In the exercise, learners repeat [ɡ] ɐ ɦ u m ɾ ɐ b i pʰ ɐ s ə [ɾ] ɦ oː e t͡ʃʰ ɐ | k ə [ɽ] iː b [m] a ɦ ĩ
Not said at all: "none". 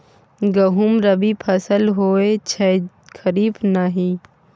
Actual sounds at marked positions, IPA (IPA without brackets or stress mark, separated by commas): ɡ, l, ɾ, n